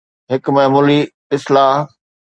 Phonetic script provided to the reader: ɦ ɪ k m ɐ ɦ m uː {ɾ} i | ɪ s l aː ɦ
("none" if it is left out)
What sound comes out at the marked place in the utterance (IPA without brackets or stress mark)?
l